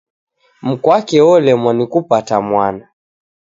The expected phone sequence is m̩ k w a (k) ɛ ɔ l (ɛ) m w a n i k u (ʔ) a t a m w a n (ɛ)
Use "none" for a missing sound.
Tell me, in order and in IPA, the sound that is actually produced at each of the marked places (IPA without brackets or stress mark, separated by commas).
k, ɛ, p, a